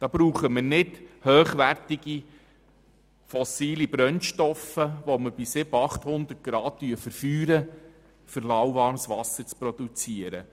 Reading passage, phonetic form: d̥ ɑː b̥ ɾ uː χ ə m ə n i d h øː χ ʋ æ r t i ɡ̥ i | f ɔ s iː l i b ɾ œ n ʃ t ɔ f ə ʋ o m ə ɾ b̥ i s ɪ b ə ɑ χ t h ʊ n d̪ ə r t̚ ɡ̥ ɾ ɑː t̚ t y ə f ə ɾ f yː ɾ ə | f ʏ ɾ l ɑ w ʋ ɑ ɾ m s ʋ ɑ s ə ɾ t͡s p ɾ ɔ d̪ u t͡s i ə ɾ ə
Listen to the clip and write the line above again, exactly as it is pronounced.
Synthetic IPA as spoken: d̥ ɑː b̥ ɾ uː χ ə m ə n ɪ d h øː χ ʋ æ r t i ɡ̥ i | f ɔ s iː l i b ɾ œ n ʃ t ɔ f ə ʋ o m ə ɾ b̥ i s ɪ b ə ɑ χ t h ʊ n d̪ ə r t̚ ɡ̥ ɾ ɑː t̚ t y ə f ə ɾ f yː ɾ ə | f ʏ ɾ l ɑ w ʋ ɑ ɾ m s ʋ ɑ s ə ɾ t͡s p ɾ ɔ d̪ u t͡s i ə ɾ ə